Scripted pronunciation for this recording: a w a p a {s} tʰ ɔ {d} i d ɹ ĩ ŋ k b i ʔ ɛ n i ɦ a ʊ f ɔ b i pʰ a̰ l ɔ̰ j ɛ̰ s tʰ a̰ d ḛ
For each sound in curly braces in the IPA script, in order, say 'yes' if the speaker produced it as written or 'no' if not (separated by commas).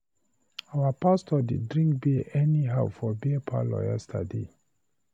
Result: yes, yes